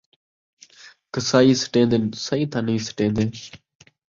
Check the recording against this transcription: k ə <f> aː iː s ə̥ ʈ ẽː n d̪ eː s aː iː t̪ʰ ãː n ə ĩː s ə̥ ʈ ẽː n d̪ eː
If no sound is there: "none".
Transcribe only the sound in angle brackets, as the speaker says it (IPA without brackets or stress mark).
s